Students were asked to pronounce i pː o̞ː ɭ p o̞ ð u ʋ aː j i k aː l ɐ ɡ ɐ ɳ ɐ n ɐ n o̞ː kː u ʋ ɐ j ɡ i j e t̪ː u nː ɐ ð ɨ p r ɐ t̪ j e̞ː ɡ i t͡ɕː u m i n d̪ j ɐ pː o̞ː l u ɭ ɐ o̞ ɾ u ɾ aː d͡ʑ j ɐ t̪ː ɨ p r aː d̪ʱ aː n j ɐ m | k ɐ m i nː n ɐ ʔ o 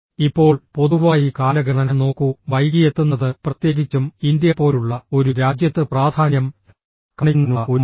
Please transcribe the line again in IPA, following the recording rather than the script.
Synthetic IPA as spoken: i pː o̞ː ɭ p o̞ ð u ʋ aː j i k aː l ɐ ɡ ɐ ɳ ɐ n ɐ n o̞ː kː u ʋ ɐ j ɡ i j e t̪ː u nː ɐ ð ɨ p r ɐ t̪ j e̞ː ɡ i t͡ɕː u m i n d̪ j ɐ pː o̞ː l u ɭː ɐ o̞ ɾ u ɾ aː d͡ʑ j ɐ t̪ː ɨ p r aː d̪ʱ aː n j ɐ m | k ɐ ɳ i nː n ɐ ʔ o

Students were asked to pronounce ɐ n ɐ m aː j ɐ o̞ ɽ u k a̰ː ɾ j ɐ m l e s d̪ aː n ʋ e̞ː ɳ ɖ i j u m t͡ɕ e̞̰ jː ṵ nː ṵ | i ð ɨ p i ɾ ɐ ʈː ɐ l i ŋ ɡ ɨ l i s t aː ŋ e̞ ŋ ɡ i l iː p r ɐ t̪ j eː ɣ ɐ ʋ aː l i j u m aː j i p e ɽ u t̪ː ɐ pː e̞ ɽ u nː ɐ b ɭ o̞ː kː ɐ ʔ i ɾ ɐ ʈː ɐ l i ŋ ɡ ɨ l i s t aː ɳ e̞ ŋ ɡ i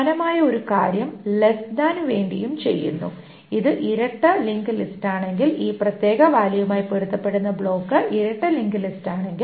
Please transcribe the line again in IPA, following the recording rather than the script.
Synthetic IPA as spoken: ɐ n ɐ m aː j ɐ o̞ ɾ u k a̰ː ɾ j ɐ m l e s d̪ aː n ʋ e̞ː ɳ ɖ i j u m t͡ɕ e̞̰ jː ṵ nː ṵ | i ð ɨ ʔ i ɾ ɐ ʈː ɐ l i ŋ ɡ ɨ l i s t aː ɳ e̞ ŋ ɡ i l iː p r ɐ t̪ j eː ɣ ɐ ʋ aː l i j u m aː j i p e ɽ u t̪ː ɐ pː e̞ ɽ u nː ɐ b ɭ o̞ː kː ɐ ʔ i ɾ ɐ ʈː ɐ l i ŋ ɡ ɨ l i s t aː ɳ e̞ ŋ ɡ i

